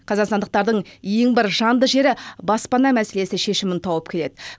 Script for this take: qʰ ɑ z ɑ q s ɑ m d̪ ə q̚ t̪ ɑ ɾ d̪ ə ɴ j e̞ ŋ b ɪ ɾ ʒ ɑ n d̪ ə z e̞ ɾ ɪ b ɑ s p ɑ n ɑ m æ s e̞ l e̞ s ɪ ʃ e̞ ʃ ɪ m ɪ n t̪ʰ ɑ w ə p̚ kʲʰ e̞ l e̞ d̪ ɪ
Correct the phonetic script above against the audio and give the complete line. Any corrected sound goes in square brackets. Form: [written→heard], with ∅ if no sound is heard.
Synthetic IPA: qʰ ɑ z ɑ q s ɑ [m→n] d̪ ə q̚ t̪ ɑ ɾ d̪ ə ɴ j e̞ ŋ b ɪ ɾ ʒ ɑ n d̪ ə [z→ʒ] e̞ ɾ ɪ b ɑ s p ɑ n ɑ m æ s e̞ l e̞ s ɪ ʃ e̞ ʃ ɪ m ɪ n t̪ʰ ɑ w ə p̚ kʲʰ e̞ l e̞ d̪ ɪ